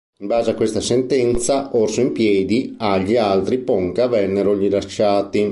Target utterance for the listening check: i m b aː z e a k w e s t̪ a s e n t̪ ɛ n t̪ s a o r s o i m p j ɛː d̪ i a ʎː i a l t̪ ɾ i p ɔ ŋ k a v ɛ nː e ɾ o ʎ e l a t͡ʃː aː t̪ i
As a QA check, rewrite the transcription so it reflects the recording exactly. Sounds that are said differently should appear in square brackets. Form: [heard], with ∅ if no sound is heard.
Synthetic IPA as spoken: i m b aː z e a k w e s t̪ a s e n t̪ ɛ n t̪ s a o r s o i m p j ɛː d̪ i a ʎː i a l t̪ ɾ i p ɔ ŋ k a v ɛ nː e ɾ o ʎ [i] l a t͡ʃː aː t̪ i